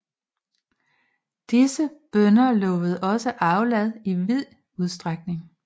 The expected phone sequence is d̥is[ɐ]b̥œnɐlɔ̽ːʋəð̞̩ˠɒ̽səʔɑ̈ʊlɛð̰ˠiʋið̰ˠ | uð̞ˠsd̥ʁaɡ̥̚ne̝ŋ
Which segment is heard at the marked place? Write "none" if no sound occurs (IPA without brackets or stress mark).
ə